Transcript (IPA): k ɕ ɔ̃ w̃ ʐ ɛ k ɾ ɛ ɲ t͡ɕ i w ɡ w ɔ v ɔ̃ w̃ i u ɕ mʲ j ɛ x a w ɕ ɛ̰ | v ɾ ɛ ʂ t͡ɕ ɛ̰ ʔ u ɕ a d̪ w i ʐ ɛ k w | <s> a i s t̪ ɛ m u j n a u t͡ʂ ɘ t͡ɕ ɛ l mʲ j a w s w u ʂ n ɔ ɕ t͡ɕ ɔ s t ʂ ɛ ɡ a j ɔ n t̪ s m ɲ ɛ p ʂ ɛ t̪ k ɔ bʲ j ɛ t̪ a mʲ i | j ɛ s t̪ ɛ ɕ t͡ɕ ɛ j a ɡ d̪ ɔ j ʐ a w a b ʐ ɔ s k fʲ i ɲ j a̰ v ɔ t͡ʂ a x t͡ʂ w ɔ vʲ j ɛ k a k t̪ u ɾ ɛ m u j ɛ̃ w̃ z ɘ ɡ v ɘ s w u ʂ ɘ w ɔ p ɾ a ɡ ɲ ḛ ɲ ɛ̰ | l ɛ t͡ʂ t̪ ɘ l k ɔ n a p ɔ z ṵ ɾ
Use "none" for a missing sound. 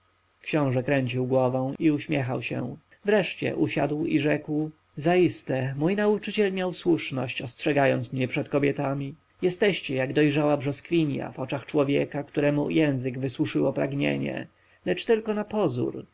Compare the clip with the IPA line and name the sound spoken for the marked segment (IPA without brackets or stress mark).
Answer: z